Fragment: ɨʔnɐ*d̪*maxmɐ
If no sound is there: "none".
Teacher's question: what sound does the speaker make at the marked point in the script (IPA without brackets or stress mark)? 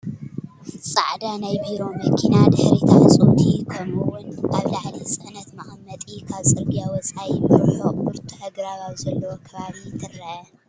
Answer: t̪